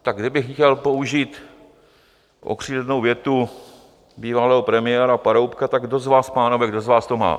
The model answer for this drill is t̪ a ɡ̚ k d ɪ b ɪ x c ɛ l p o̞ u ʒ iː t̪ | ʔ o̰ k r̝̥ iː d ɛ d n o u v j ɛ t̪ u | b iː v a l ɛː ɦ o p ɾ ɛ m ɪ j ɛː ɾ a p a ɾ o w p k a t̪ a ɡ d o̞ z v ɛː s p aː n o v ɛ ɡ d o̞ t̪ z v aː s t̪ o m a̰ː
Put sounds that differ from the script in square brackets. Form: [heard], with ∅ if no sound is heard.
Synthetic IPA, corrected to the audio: t̪ a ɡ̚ [ɡ] d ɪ b ɪ x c ɛ l p o̞ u ʒ iː t̪ | ʔ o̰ k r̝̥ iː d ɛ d n o [w] v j ɛ t̪ u | b iː v a l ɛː ɦ o p ɾ ɛ m ɪ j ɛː ɾ a p a ɾ o w p k a t̪ a ɡ d o̞ z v [aː] s p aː n o v ɛ ɡ d o̞ [∅] z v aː s t̪ o m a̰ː

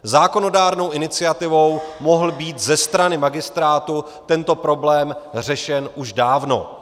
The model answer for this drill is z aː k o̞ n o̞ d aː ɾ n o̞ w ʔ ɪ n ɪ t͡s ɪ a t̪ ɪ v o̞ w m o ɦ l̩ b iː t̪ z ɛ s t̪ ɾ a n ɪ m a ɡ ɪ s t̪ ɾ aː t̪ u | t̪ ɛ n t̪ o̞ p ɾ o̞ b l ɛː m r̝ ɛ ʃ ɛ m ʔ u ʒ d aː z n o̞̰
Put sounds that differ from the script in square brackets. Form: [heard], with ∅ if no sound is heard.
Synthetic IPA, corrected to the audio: z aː k o̞ n o̞ d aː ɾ n o̞ w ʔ ɪ n ɪ t͡s ɪ a t̪ ɪ v o̞ w m o ɦ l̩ b iː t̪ z ɛ s t̪ ɾ a n ɪ m a ɡ ɪ s t̪ ɾ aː t̪ u | t̪ ɛ n t̪ o̞ p ɾ o̞ b l ɛː m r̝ ɛ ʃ ɛ [n] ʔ u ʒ d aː [v] n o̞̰

